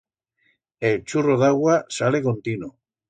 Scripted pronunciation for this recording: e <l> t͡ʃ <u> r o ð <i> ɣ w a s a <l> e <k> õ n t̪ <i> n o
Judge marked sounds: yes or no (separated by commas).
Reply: yes, yes, no, yes, yes, yes